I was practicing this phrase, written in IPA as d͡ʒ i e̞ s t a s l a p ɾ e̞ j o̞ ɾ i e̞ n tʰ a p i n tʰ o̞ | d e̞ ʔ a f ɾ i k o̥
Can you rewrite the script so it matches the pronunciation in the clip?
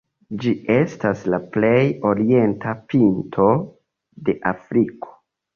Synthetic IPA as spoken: d͡ʒ i e̞ s t a s l a p l e̞ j o̞ ɾ i e̞ n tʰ a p i n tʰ o̞ | d e̞ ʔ a f ɾ i k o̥